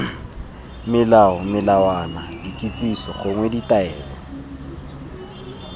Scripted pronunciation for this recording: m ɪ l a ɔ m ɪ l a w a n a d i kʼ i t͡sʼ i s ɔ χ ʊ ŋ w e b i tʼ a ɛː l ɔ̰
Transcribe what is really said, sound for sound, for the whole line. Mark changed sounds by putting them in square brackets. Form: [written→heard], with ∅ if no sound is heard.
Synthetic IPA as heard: m ɪ l a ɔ m ɪ l a w a n a d i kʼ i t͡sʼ i s ɔ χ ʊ ŋ w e [b→d] i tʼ a ɛː l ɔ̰